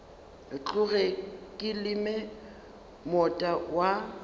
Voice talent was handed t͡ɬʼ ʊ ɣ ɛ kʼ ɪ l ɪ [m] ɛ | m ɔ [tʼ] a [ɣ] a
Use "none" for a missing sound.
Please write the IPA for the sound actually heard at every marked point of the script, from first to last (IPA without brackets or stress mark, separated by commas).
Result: m, tʼ, w